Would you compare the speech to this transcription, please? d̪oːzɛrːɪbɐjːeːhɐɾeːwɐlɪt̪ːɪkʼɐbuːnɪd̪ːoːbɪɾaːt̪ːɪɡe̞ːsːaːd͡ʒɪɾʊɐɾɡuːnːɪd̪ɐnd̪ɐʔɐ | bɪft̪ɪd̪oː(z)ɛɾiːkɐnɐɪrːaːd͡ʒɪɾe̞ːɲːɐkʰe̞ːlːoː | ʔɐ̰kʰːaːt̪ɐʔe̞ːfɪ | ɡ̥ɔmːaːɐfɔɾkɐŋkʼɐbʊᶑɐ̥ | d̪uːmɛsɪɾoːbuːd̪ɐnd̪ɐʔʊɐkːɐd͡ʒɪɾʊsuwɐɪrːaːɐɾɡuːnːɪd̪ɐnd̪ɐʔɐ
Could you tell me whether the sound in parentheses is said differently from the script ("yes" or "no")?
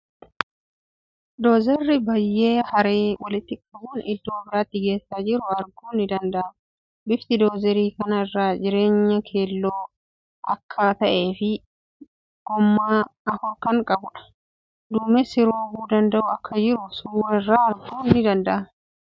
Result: no